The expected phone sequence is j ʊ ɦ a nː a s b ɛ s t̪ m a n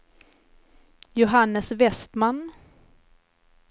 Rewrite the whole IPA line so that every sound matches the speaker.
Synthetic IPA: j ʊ ɦ a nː ə s v ɛ s t̪ m a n